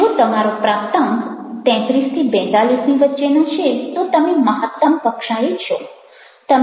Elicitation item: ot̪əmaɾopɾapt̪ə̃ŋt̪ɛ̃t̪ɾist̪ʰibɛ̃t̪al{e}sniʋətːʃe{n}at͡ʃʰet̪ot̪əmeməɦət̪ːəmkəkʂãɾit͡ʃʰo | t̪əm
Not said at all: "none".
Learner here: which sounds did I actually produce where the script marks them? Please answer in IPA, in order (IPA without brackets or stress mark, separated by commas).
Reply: i, n